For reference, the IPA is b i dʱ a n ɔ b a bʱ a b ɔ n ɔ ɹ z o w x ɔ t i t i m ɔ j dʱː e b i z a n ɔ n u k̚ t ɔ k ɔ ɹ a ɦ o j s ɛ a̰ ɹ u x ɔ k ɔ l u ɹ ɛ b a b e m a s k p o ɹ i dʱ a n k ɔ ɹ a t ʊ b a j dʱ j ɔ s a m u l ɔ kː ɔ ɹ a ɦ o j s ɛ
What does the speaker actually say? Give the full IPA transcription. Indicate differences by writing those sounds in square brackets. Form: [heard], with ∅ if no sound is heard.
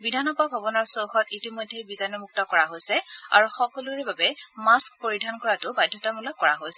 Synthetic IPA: b i dʱ a n ɔ b a bʱ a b ɔ n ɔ ɹ [s] o w x ɔ t i t i m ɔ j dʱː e b i z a n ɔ [m] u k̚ t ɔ k ɔ ɹ a ɦ o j s ɛ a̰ ɹ u x ɔ k ɔ l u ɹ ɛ b a b [ɛ] m a s k p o ɹ i dʱ a n k ɔ ɹ a t ʊ b a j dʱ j ɔ [t] a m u l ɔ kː ɔ ɹ a ɦ o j s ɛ

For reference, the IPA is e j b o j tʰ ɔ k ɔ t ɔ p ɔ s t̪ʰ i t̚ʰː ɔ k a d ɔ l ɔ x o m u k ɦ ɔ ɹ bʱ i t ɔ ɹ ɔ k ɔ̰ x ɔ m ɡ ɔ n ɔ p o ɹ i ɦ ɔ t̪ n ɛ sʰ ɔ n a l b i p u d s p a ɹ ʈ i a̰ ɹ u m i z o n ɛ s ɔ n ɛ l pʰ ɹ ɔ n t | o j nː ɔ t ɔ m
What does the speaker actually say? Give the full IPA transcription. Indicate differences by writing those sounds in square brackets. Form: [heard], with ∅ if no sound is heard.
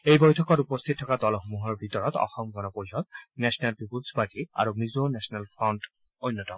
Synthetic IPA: e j b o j tʰ ɔ k ɔ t [u] p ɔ s t̪ʰ i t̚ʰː ɔ k a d ɔ l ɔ x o m u [∅] ɦ ɔ ɹ bʱ i t ɔ ɹ ɔ [t] ɔ̰ x ɔ m ɡ ɔ n ɔ p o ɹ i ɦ ɔ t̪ n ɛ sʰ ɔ n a l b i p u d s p a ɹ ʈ i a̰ ɹ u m i z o n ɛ s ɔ n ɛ l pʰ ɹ ɔ n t | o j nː ɔ t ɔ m

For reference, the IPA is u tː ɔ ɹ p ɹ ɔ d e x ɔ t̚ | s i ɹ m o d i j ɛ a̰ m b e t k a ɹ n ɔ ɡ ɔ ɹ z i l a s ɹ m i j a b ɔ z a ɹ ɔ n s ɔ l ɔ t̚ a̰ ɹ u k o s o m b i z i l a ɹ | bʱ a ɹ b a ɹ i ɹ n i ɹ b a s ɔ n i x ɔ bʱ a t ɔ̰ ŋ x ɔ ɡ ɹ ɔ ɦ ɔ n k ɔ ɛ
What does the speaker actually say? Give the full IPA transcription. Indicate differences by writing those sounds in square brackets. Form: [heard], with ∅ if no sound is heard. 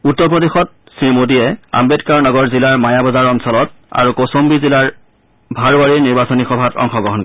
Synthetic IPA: u tː ɔ ɹ p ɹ ɔ d e x ɔ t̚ | s i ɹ m o d i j ɛ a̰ m b e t k a ɹ n ɔ ɡ ɔ ɹ z i l a [∅] ɹ m [a] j a b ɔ z a ɹ ɔ n s ɔ l ɔ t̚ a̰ ɹ u k o s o m b i z i l a ɹ | bʱ a ɹ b a ɹ i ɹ n i ɹ b a s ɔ n i x ɔ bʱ a t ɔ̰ ŋ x ɔ ɡ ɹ ɔ ɦ ɔ n k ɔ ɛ

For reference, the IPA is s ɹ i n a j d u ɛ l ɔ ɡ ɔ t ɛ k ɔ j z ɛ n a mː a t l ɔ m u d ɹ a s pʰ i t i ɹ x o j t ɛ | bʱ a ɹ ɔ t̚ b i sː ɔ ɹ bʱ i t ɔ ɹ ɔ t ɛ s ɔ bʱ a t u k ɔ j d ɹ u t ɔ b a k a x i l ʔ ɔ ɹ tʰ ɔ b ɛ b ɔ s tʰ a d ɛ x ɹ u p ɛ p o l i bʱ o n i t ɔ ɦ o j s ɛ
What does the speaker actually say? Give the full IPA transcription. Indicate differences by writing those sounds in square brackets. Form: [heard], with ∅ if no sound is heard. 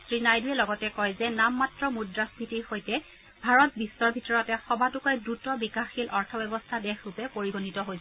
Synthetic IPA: s ɹ i n a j d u ɛ l ɔ ɡ ɔ t ɛ k ɔ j z ɛ n a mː a t [ɹ] ɔ m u d ɹ a s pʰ i t i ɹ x o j t ɛ | bʱ a ɹ ɔ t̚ b i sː ɔ ɹ bʱ i t ɔ ɹ ɔ t ɛ [x] ɔ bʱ a t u k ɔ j d ɹ u t ɔ b [i] k a x i l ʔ ɔ ɹ tʰ ɔ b ɛ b ɔ s tʰ a d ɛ x ɹ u p ɛ p o [ɹ] i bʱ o n i t ɔ ɦ o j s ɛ

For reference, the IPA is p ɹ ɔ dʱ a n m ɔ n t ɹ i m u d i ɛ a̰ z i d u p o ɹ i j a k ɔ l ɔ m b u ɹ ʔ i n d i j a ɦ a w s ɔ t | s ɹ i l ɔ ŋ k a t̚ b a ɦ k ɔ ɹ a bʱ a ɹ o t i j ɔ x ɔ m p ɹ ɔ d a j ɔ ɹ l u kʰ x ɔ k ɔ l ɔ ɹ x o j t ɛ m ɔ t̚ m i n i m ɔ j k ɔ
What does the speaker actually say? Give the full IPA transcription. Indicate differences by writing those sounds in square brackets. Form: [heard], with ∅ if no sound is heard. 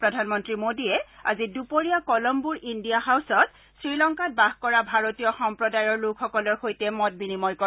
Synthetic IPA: p ɹ ɔ dʱ a n m ɔ n t ɹ i m [o] d i ɛ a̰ z i d u p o ɹ i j a k ɔ l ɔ m b u ɹ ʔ i n d i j a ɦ a w s ɔ t | s ɹ i l ɔ ŋ k a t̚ b a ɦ k ɔ ɹ a bʱ a ɹ o t i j ɔ x ɔ m p ɹ ɔ d a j ɔ ɹ l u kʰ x ɔ k ɔ l ɔ ɹ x o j t ɛ m ɔ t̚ [b] i n i m ɔ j k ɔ

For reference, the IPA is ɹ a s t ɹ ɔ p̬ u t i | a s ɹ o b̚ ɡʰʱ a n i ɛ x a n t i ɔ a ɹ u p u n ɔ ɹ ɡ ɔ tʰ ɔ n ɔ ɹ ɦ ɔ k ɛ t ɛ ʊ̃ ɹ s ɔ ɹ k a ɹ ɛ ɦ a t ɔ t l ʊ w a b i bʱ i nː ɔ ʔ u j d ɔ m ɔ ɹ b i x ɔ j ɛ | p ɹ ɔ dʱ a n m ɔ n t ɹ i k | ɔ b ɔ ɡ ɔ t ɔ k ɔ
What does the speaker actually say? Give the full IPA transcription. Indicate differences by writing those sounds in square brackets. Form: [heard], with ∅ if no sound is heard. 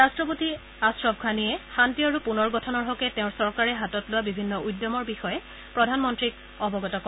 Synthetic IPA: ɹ a s t ɹ ɔ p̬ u t i | a s ɹ [ɔ] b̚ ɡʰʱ a n i ɛ x a n t i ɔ a ɹ u p u n ɔ ɹ ɡ ɔ tʰ ɔ n ɔ ɹ ɦ ɔ k ɛ t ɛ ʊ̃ ɹ s ɔ ɹ k a ɹ ɛ ɦ a t ɔ t l ʊ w a b i bʱ i nː ɔ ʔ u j d ɔ m ɔ ɹ b i x ɔ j ɛ | p ɹ ɔ dʱ a n m ɔ n t ɹ i k | ɔ b ɔ ɡ ɔ t ɔ k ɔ

